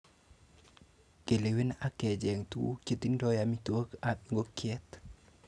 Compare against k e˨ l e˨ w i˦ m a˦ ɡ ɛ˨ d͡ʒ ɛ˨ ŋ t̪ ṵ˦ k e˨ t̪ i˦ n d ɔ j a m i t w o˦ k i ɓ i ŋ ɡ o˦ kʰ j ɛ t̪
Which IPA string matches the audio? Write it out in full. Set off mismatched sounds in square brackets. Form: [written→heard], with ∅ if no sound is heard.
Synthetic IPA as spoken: k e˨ l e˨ w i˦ [m→n] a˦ [ɡ→k] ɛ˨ d͡ʒ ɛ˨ ŋ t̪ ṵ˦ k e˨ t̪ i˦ n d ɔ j a m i t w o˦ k [i→a] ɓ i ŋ ɡ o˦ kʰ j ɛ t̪